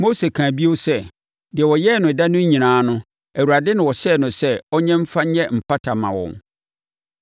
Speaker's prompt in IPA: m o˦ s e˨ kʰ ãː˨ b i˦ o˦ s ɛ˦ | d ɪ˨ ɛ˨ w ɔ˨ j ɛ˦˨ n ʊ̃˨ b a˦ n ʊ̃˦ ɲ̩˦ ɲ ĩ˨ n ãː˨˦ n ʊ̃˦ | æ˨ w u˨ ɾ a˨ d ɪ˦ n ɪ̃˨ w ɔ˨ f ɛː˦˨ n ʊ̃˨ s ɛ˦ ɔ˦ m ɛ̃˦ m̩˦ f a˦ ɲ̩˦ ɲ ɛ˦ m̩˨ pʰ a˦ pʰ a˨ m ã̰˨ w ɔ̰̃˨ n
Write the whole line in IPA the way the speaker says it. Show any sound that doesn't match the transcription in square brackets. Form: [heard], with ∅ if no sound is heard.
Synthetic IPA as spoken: m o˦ s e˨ kʰ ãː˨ b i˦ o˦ s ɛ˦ | d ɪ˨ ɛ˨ w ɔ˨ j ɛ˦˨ n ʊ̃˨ [d] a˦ n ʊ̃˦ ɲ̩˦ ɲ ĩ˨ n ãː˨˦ n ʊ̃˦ | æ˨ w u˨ ɾ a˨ d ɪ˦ n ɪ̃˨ w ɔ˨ [ɕ] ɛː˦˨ n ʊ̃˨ s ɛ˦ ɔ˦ [ɲ] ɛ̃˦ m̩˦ f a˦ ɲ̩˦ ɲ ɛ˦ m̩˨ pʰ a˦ [tʰ] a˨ m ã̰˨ w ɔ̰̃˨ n